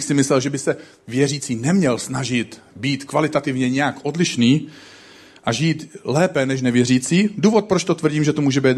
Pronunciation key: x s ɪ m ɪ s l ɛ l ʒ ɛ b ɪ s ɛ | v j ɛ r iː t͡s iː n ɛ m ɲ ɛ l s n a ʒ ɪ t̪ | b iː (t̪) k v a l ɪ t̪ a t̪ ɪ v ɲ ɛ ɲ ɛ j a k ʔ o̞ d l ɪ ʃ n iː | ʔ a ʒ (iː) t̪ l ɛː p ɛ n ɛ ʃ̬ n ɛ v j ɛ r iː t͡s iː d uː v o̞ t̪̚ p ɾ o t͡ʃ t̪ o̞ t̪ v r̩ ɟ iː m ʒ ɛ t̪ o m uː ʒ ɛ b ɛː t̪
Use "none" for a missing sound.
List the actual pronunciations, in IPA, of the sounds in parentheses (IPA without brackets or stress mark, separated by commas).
t̪, iː